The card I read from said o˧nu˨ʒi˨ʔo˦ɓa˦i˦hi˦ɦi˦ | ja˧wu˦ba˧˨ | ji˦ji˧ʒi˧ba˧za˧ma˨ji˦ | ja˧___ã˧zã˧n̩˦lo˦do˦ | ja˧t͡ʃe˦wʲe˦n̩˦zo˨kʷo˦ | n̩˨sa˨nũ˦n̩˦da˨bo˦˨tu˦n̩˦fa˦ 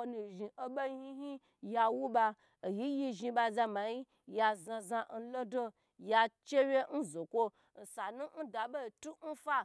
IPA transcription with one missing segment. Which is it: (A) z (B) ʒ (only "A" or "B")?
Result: A